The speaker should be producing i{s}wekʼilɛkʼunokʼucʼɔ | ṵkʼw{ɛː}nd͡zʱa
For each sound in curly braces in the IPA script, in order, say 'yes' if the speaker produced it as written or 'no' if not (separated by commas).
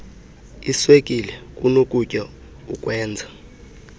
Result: yes, yes